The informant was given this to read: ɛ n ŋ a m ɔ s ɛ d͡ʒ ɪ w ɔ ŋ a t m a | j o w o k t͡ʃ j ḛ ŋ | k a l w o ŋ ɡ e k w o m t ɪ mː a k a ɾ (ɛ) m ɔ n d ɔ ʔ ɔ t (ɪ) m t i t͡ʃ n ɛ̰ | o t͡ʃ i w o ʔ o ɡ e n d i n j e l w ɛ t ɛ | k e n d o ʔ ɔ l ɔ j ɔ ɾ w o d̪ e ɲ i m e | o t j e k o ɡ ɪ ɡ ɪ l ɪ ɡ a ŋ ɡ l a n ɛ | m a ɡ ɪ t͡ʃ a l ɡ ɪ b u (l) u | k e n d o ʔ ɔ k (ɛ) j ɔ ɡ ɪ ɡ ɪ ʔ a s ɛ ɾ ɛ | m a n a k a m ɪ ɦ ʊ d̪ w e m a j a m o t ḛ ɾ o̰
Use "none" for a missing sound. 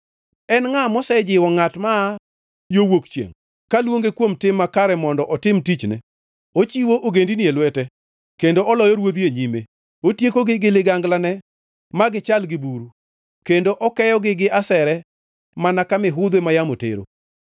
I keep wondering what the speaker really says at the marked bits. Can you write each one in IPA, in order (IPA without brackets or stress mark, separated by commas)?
ɛ, ɪ, ɾ, ɛ